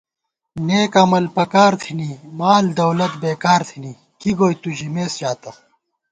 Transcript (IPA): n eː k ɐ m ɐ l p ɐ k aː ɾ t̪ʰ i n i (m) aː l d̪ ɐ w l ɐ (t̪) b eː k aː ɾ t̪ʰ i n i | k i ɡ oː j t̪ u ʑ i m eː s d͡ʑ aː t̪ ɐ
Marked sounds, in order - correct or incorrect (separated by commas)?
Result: correct, correct